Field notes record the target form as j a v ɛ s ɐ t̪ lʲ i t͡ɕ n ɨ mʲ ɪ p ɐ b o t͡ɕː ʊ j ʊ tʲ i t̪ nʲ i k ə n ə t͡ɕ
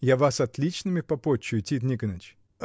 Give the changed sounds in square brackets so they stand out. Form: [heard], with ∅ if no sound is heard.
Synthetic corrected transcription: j a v [a] s ɐ t̪ lʲ i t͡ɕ n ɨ mʲ ɪ p ɐ [p] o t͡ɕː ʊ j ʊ tʲ i t̪ nʲ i k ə n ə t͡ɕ